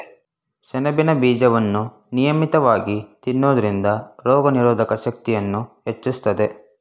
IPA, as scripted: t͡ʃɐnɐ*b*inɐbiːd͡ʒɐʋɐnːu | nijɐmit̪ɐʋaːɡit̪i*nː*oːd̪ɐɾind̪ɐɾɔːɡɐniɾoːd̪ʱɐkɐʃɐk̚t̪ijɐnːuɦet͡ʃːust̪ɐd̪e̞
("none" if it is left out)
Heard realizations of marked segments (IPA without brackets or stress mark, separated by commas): b, nː